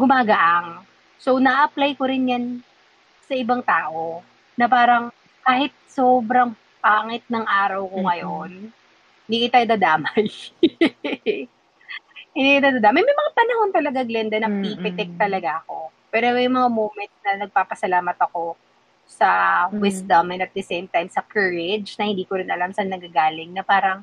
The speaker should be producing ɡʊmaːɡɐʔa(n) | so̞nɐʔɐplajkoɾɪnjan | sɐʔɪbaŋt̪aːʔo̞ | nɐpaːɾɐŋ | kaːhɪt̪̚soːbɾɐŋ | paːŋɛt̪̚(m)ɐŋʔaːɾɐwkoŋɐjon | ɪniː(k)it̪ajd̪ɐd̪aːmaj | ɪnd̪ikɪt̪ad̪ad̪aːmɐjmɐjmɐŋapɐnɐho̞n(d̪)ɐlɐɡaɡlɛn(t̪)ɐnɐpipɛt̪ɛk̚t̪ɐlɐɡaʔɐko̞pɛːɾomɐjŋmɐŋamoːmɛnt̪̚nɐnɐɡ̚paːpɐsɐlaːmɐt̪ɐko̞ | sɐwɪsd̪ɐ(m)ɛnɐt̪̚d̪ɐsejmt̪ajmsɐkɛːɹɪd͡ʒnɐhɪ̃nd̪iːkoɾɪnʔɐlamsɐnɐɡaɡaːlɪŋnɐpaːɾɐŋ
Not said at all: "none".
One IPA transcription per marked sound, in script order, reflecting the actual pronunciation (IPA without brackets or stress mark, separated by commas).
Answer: ŋ, n, k, t̪, d̪, m